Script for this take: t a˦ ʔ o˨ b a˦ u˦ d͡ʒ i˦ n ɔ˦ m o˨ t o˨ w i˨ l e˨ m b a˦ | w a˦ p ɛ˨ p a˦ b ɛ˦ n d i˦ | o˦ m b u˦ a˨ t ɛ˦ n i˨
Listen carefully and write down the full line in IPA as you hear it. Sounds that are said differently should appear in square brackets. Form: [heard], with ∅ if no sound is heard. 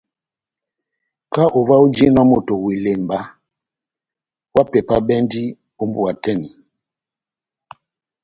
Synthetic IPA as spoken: [k] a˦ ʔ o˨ [v] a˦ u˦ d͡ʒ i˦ n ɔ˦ m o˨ t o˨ w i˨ l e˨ m b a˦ | w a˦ p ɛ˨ p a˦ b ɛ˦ n d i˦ | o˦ m b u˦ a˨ t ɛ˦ n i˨